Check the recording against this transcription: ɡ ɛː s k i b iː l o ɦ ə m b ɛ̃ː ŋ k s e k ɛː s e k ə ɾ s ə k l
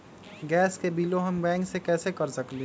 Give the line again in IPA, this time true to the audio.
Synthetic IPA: ɡ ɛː s k e b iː l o ɦ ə m b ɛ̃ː ŋ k s e k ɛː s e k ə ɾ s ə k l